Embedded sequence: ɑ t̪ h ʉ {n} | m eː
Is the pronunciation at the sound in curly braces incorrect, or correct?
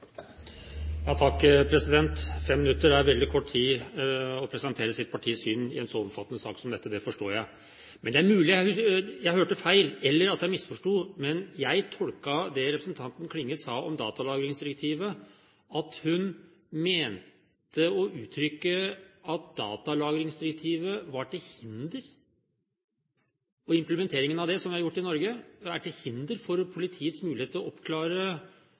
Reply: correct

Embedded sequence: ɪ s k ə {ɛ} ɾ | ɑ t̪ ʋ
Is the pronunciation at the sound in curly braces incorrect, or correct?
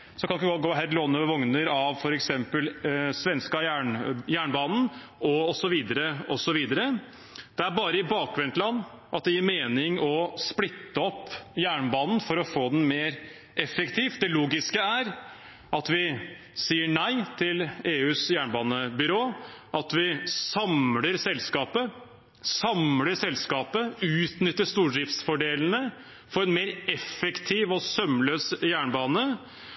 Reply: incorrect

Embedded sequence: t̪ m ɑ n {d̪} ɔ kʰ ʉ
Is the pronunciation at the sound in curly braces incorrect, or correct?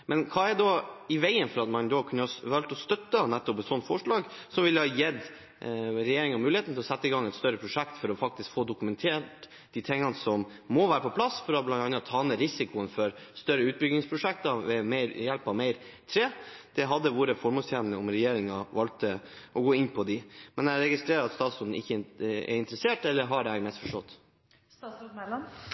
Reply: correct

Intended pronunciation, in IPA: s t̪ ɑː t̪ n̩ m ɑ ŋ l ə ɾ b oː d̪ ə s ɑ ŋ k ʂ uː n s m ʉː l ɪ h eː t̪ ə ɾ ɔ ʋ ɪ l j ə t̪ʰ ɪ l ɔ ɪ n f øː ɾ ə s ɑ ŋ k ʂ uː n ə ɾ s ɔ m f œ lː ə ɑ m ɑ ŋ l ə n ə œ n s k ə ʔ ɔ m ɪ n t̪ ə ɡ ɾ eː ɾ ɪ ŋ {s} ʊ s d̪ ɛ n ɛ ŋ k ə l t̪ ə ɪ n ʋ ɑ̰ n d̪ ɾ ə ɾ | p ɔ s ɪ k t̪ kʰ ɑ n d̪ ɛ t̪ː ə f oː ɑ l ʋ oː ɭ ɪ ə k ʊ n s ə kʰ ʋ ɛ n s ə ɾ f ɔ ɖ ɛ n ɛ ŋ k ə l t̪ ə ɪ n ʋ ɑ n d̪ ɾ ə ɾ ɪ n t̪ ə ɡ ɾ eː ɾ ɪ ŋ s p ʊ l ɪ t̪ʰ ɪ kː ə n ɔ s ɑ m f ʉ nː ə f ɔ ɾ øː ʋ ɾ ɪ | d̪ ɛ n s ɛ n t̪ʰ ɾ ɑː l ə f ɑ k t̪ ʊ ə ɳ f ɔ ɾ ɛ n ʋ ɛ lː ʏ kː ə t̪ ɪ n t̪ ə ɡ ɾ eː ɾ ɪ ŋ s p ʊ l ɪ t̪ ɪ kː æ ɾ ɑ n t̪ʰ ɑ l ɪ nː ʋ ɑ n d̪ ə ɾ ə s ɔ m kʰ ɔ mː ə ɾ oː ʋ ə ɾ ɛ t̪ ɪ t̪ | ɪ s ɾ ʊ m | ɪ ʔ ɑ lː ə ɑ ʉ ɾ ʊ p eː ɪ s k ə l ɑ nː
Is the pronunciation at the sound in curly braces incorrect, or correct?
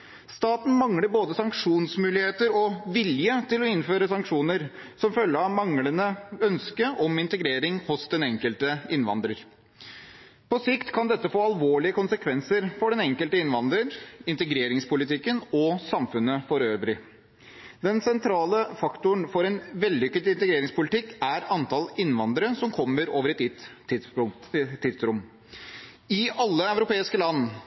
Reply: incorrect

